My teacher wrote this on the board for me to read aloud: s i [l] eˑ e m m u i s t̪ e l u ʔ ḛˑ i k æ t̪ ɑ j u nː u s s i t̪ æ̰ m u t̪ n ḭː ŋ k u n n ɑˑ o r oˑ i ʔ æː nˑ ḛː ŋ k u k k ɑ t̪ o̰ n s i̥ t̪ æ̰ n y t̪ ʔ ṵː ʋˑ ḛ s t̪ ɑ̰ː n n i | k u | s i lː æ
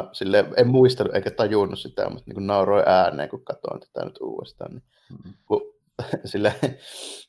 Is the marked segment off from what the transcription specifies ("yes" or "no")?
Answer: yes